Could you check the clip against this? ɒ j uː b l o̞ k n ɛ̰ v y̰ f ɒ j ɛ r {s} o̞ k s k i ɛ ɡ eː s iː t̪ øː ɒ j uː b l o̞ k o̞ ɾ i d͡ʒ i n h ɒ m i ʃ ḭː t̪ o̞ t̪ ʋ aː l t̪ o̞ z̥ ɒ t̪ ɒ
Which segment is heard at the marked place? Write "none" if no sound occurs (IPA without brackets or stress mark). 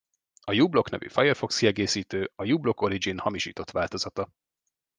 f